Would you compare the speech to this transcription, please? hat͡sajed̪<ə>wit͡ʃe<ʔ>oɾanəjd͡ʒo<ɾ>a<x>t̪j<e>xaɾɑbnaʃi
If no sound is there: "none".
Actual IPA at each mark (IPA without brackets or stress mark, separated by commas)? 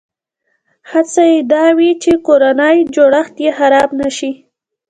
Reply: ɑ, k, ɽ, x, e